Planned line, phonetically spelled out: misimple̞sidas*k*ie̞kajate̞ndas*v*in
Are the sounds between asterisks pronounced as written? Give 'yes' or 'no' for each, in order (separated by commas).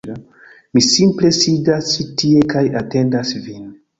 no, yes